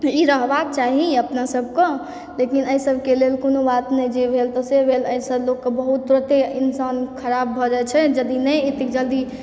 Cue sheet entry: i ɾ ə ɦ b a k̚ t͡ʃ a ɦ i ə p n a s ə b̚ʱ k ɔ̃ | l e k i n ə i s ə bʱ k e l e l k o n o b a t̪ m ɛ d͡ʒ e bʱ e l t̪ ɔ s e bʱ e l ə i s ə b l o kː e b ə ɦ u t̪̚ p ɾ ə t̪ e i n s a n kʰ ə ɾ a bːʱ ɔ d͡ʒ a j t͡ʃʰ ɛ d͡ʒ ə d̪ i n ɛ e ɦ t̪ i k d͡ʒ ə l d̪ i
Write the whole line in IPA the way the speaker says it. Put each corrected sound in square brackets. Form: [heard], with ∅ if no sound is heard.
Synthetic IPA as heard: i ɾ ə ɦ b a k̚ t͡ʃ a ɦ i ə p n a s ə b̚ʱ k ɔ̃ | l e k i n ə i s ə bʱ k e l e l k o n o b a t̪ [n] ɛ d͡ʒ e bʱ e l t̪ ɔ s e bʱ e l ə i s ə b l o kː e b ə ɦ u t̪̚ p ɾ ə t̪ e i n s a n kʰ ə ɾ a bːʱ ɔ d͡ʒ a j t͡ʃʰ ɛ d͡ʒ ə d̪ i n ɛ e [∅] t̪ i k d͡ʒ ə l d̪ i